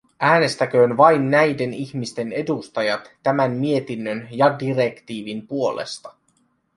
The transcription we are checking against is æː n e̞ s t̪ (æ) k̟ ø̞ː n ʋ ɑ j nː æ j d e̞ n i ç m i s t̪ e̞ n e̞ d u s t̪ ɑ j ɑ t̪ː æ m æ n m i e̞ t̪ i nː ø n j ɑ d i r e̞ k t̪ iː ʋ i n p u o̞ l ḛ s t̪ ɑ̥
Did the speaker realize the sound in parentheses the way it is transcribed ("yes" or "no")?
yes